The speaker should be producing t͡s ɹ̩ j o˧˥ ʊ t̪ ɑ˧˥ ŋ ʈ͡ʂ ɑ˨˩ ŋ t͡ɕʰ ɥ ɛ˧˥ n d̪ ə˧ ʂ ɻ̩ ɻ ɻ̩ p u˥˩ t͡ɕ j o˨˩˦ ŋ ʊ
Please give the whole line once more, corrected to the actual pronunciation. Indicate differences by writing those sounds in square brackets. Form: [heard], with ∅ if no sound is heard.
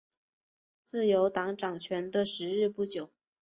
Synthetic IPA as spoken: t͡s ɹ̩ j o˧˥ ʊ t̪ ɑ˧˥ ŋ ʈ͡ʂ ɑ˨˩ ŋ t͡ɕʰ ɥ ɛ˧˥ n d̪ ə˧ ʂ ɻ̩ ɻ ɻ̩ p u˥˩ t͡ɕ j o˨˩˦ [∅] ʊ